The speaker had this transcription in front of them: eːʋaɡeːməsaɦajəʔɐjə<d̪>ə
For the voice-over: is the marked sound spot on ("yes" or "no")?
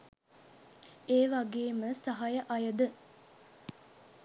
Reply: yes